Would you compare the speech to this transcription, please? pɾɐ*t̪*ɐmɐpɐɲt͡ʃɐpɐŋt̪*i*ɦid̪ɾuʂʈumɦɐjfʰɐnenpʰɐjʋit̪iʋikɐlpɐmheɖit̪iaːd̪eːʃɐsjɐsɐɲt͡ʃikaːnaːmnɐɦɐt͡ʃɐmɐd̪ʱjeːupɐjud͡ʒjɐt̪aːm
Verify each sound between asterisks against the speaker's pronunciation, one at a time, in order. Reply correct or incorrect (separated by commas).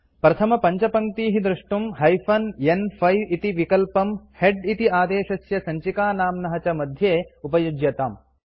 incorrect, incorrect